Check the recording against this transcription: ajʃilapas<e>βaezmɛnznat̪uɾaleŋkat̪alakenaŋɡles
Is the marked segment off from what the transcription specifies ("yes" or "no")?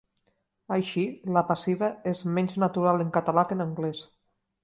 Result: yes